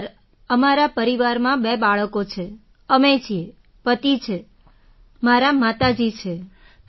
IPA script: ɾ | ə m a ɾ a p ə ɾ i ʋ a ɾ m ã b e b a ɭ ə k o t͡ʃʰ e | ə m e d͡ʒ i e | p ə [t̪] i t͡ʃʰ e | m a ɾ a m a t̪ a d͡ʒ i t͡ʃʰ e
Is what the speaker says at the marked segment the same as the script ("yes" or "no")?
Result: yes